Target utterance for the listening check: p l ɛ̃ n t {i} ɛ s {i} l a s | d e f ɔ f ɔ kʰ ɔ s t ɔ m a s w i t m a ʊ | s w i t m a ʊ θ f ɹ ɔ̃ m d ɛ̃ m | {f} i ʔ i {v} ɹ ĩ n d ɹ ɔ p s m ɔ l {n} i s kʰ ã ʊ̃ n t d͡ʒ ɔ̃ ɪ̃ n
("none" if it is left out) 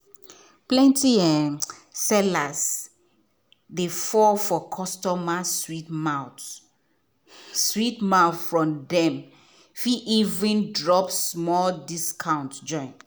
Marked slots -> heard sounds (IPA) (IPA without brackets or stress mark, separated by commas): i, ɛ, f, v, d